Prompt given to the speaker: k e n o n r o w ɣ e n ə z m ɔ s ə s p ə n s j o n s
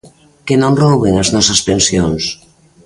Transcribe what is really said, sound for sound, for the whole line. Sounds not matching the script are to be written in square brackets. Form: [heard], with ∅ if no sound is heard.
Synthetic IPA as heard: k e n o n r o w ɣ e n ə z [n] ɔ s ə s p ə n s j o n s